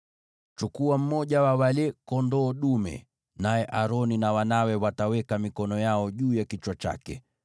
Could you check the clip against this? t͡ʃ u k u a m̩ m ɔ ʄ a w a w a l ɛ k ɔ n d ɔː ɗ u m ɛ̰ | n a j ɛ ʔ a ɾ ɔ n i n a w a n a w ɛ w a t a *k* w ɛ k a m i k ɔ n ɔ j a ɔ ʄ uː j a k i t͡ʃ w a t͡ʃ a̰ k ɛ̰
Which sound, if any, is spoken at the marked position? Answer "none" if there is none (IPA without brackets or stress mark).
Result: none